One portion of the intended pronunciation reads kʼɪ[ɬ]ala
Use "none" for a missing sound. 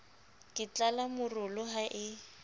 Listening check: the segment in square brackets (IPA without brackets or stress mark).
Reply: t͡ɬ